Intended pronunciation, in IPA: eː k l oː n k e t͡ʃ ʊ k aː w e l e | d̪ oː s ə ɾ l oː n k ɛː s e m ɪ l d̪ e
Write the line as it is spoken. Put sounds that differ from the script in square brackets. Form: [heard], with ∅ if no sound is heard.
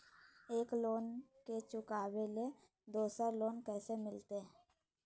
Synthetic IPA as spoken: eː k l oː n k e t͡ʃ ʊ k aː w e l e | d̪ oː s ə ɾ l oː n k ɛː s e m ɪ l [t̪] e